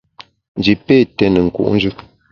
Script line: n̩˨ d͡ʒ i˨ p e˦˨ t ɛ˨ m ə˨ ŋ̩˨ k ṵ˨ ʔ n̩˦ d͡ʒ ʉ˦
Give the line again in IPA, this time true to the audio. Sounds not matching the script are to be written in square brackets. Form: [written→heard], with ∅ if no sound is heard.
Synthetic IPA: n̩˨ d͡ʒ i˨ p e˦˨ t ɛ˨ [m→n] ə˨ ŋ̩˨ k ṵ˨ ʔ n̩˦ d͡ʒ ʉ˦